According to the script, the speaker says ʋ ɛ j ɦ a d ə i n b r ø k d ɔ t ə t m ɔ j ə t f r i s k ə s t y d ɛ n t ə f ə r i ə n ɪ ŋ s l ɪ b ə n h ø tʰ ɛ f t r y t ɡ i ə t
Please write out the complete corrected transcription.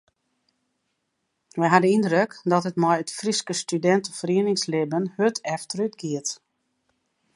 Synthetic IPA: ʋ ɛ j ɦ a d ə i n d r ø k d ɔ t ə t m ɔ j ə t f r i s k ə s t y d ɛ n t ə f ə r i ə n ɪ ŋ s l ɪ b ə n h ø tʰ ɛ f t r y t ɡ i ə t